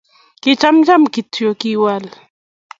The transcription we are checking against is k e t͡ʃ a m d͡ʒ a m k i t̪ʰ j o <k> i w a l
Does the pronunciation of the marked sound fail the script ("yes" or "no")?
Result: no